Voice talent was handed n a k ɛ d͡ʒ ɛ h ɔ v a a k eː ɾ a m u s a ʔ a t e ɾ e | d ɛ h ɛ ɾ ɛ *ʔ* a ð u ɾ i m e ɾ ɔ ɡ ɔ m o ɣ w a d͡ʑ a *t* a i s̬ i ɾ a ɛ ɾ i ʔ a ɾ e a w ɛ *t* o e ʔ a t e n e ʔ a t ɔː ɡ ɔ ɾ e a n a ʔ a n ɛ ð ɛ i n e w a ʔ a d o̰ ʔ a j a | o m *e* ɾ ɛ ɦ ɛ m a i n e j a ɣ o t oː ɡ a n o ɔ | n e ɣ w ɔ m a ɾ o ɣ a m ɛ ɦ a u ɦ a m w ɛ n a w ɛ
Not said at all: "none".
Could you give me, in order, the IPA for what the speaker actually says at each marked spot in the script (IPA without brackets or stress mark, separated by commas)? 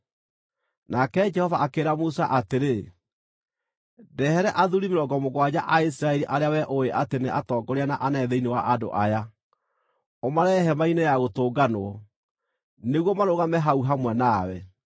ʔ, ʔ, ʔ, a